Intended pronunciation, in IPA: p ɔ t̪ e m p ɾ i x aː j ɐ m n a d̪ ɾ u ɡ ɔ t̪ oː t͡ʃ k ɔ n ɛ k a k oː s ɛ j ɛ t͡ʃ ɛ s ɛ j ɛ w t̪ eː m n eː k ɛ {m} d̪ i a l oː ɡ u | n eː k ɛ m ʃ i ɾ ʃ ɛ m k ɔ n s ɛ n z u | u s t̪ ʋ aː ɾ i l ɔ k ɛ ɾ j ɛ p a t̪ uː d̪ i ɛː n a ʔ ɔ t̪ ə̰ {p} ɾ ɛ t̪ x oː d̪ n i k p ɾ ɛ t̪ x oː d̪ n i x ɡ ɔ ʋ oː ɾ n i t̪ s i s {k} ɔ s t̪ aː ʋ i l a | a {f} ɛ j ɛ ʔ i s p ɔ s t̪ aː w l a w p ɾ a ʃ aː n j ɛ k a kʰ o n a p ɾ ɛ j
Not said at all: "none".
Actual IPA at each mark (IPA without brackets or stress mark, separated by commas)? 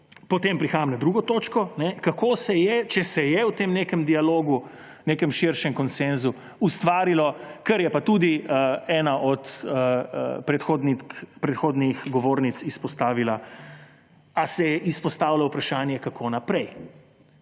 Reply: m, p, p, s